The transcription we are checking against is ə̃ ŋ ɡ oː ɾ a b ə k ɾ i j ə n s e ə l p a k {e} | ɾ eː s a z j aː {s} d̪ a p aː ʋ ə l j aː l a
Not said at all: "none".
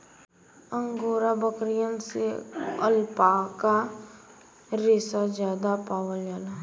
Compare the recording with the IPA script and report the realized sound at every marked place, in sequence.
a, none

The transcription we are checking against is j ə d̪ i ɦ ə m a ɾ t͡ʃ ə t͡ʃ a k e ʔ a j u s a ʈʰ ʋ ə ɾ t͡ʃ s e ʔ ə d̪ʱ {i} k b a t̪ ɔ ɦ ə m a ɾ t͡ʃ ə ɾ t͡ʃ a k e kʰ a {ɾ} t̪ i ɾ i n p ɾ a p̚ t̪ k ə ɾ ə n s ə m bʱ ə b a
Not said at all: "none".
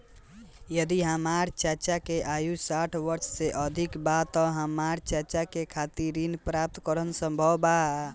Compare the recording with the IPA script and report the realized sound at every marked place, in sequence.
i, none

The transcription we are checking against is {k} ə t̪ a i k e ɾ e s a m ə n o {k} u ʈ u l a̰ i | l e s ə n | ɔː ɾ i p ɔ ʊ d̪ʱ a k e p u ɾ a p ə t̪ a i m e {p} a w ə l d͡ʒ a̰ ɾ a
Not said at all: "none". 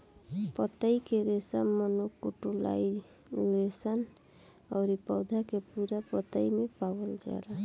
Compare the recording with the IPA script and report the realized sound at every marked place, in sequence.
p, k, p

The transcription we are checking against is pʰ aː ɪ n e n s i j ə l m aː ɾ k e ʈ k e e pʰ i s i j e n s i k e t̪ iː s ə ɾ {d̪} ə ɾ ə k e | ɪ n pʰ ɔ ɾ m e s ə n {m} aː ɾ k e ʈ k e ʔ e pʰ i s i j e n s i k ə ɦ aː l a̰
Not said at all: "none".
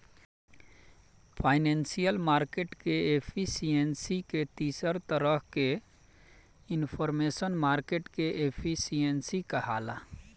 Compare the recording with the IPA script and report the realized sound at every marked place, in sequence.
t̪, m

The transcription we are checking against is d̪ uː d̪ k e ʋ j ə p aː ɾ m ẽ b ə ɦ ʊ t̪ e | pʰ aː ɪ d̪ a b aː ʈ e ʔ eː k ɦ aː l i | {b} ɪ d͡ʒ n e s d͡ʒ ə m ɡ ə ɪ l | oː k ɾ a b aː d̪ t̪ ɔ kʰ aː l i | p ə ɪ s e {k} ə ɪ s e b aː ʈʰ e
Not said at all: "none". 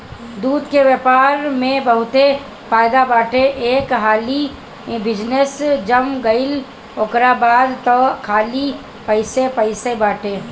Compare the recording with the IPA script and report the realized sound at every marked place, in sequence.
b, p

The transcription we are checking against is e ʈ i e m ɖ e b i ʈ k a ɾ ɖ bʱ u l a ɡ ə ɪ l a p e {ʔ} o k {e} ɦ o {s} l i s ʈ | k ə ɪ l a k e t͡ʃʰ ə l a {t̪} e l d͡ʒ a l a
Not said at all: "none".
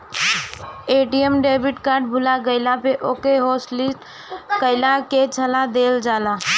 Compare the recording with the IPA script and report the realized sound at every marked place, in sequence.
ʔ, e, s, d̪

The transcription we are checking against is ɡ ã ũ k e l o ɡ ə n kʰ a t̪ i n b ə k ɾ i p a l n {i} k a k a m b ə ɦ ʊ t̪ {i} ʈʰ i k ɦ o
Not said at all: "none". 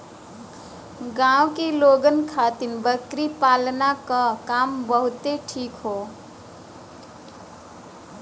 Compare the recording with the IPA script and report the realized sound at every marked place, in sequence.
a, e

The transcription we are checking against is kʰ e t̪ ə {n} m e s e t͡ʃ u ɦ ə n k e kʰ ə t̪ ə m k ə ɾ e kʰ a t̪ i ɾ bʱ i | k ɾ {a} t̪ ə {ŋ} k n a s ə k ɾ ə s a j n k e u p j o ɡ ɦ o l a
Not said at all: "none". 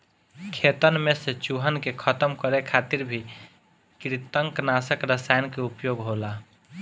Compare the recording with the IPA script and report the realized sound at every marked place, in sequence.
n, i, ŋ

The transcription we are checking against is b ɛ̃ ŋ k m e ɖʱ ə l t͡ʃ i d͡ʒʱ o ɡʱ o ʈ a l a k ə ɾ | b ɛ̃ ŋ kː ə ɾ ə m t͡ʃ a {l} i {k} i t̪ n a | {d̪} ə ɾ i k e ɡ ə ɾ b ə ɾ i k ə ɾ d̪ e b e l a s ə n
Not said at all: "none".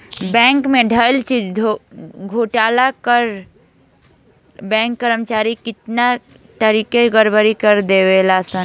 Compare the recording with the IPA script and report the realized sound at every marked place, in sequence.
ɾ, k, t̪

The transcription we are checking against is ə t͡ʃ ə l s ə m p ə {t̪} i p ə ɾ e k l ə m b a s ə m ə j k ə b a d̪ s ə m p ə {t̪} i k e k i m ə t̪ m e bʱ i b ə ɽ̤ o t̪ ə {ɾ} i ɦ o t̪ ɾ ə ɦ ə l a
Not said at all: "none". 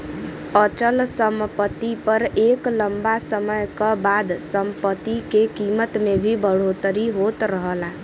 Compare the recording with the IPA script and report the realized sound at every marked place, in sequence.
t̪, t̪, ɾ

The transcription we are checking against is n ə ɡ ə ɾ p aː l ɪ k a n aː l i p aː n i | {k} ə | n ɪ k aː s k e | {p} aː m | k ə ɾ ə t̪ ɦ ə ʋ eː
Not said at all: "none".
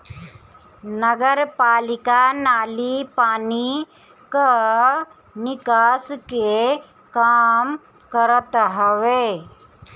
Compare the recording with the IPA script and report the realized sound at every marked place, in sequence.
k, k

